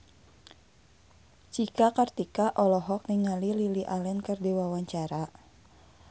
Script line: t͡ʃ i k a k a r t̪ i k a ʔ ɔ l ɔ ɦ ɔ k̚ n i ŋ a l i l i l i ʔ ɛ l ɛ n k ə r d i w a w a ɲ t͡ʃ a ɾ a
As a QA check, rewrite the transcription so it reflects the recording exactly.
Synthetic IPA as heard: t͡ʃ i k a k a r t̪ i k a ʔ ɔ l ɔ ɦ ɔ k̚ n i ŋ a l i l i l i ʔ a l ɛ n k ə r d i w a w a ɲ t͡ʃ a ɾ a